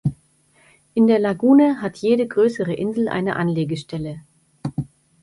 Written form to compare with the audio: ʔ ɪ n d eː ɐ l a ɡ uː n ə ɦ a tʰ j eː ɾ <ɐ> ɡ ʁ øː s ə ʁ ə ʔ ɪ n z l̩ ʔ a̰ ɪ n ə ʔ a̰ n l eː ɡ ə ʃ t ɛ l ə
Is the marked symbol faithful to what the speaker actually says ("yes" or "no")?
no